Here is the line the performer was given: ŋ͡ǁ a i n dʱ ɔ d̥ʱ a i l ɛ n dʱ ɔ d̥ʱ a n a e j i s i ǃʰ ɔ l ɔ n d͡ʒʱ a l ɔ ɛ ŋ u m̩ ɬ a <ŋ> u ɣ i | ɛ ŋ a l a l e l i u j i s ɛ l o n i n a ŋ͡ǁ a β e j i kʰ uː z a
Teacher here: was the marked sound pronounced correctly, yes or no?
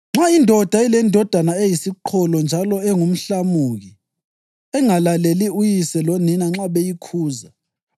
no